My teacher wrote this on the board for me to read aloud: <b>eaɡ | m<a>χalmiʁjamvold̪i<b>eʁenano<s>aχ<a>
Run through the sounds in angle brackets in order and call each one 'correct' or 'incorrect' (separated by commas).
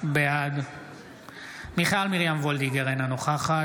correct, incorrect, incorrect, incorrect, correct